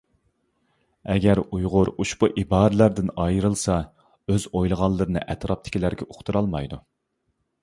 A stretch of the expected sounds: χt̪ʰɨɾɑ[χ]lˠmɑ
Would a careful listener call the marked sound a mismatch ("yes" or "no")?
yes